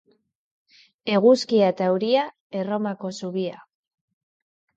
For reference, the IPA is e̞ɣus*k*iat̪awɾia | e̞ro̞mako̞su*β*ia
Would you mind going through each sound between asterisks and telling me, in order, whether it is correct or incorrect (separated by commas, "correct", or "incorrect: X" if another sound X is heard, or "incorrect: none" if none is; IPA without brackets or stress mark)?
correct, correct